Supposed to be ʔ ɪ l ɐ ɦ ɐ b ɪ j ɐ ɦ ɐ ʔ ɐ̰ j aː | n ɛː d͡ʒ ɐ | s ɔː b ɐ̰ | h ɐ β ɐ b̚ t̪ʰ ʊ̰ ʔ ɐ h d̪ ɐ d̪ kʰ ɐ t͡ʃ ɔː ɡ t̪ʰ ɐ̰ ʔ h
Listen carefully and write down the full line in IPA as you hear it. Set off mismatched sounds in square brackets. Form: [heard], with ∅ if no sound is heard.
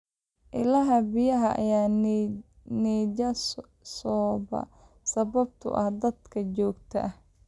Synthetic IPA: ʔ ɪ l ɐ ɦ ɐ b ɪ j ɐ ɦ ɐ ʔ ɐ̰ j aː | n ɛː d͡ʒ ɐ | s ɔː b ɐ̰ | [s] ɐ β ɐ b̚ t̪ʰ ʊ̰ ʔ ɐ h d̪ ɐ d̪ kʰ ɐ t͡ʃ ɔː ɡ t̪ʰ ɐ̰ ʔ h